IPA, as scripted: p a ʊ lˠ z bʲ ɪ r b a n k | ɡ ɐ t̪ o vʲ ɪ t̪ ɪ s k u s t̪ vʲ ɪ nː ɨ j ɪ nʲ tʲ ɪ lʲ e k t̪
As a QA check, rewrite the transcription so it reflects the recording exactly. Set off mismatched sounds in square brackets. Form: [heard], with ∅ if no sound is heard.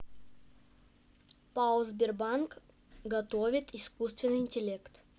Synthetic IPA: p a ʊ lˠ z bʲ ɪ r b a n k | ɡ ɐ t̪ o vʲ ɪ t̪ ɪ s k u s t̪ vʲ ɪ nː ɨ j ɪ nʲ tʲ ɪ lʲ e k t̪